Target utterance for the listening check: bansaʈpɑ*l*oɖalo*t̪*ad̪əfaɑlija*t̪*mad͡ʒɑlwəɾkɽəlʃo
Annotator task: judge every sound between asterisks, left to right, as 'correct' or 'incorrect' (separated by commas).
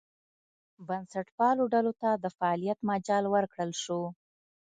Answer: correct, correct, correct